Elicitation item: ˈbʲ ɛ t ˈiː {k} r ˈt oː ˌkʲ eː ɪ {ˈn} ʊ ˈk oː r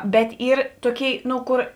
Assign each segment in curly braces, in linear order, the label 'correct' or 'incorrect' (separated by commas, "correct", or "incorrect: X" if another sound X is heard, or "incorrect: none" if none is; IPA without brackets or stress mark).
incorrect: none, correct